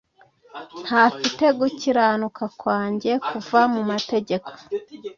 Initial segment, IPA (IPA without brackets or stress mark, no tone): n̥